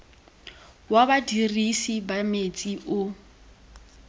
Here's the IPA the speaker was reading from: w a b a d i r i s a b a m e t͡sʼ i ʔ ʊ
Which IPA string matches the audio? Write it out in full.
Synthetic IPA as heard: w a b a d i r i s i b a m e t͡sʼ i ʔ ʊ